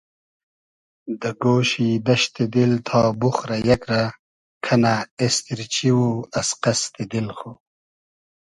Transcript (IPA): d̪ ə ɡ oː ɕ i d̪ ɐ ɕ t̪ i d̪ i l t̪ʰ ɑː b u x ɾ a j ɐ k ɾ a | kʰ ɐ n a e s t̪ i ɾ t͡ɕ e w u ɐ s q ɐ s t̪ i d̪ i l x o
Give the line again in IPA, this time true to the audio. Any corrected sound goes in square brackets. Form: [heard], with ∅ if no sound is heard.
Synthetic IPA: d̪ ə ɡ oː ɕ i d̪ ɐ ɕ t̪ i d̪ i l t̪ʰ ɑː b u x ɾ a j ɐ k ɾ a | kʰ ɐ n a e s t̪ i ɾ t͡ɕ [i] w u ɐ s q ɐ s t̪ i d̪ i l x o